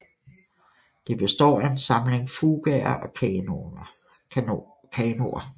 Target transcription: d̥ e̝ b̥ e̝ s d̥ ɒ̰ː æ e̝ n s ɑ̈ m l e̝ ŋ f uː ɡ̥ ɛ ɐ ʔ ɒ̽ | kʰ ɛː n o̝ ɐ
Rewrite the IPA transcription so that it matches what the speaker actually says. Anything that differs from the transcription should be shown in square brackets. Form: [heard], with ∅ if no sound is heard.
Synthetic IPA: d̥ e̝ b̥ e̝ s d̥ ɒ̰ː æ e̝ n s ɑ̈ m l e̝ ŋ f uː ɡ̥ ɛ ɐ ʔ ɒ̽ | kʰ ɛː n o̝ ɐ